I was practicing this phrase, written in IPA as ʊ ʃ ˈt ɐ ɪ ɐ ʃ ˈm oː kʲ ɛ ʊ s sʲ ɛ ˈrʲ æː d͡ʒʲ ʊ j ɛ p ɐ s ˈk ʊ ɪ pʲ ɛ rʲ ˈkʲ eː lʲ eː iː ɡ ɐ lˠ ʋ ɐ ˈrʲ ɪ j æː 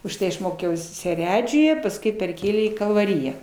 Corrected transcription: ʊ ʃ ˈt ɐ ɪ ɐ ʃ ˈm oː kʲ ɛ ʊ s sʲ ɛ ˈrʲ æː d͡ʒʲ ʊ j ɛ p ɐ s ˈk ʊ ɪ pʲ ɛ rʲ ˈkʲ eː lʲ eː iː k ɐ lˠ ʋ ɐ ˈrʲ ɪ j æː

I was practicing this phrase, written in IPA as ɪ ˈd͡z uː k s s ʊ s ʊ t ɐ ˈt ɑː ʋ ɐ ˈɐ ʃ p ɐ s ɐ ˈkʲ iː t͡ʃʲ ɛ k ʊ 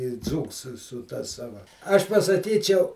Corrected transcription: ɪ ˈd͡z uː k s s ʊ s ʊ t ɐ ˈs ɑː ʋ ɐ ˈɐ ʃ p ɐ s ɐ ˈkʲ iː t͡ʃʲ ɛ ʊ

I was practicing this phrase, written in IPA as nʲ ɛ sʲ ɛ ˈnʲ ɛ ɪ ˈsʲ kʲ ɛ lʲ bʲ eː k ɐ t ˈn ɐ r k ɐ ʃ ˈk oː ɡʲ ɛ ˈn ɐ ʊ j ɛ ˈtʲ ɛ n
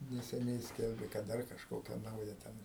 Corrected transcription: nʲ ɛ sʲ ɛ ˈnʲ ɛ ɪ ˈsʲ kʲ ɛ lʲ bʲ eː k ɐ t ˈd ɐ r k ɐ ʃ ˈk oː kʲ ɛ ˈn ɐ ʊ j ɛ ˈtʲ ɛ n

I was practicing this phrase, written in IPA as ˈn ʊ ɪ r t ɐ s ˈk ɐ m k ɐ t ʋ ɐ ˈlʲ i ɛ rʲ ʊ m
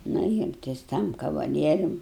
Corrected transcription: ˈn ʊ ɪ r t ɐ s ˈt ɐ m k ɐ ʋ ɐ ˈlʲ i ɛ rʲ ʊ m

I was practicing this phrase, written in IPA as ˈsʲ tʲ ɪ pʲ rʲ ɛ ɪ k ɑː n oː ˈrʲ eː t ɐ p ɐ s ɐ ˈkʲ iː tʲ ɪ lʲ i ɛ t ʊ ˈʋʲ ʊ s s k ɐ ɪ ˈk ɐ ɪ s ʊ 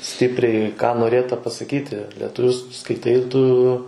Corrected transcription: ˈsʲ tʲ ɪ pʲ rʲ ɛ ɪ k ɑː n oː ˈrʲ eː t ɐ p ɐ s ɐ ˈkʲ iː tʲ ɪ lʲ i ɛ t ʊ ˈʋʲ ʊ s s k ɐ ɪ ˈt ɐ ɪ t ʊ

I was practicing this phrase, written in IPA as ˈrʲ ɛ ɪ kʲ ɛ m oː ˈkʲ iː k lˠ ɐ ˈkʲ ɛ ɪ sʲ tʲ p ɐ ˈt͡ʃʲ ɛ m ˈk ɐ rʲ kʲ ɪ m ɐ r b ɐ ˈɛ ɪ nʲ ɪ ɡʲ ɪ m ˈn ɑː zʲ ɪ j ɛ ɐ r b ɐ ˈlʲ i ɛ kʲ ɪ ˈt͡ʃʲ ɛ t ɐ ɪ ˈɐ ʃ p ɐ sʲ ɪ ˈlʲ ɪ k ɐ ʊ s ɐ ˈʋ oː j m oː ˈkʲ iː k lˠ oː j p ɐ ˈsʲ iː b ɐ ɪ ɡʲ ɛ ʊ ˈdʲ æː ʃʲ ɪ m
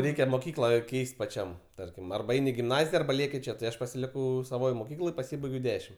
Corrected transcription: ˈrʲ ɛ ɪ kʲ ɛ m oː ˈkʲ iː k lˠ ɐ ˈkʲ ɛ ɪ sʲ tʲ p ɐ ˈt͡ʃʲ ɛ m ˈt ɐ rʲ kʲ ɪ m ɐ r b ɐ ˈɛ ɪ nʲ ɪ ɡʲ ɪ m ˈn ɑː zʲ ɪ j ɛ ɐ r b ɐ ˈlʲ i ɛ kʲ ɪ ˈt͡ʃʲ ɛ t ɐ ɪ ˈɐ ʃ p ɐ sʲ ɪ ˈlʲ ɪ k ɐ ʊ s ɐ ˈʋ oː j m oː ˈkʲ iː k lˠ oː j p ɐ ˈsʲ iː b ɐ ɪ ɡʲ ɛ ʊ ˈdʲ æː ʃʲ ɪ m

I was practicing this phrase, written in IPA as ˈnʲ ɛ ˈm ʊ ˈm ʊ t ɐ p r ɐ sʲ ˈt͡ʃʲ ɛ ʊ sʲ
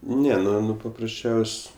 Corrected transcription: ˈnʲ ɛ ˈn ʊ ˈn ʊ p ɐ p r ɐ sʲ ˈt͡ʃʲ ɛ ʊ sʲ

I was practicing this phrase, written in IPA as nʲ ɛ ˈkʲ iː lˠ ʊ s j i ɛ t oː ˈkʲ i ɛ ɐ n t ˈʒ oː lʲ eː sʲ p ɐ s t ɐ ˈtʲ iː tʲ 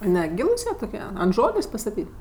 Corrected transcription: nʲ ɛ ˈɡʲ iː lˠ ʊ s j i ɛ t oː ˈkʲ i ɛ ɐ n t ˈʒ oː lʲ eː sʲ p ɐ s t ɐ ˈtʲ iː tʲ

